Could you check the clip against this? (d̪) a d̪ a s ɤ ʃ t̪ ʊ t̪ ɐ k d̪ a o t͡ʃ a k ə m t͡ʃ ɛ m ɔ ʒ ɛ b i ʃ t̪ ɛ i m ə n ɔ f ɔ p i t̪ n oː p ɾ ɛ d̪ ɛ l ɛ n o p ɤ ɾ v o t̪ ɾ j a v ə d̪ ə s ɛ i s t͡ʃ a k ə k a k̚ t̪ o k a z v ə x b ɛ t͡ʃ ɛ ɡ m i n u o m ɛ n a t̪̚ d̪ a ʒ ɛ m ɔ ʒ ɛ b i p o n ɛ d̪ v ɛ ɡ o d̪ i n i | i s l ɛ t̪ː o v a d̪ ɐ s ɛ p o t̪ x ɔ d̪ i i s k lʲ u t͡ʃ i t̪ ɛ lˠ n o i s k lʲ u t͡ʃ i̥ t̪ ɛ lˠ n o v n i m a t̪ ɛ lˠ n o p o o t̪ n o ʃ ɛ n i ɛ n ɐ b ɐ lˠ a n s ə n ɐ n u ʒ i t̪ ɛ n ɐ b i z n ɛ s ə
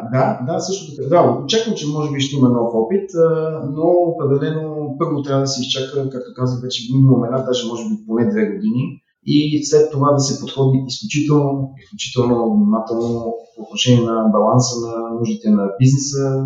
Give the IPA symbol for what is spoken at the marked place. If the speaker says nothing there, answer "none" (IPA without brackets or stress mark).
d̪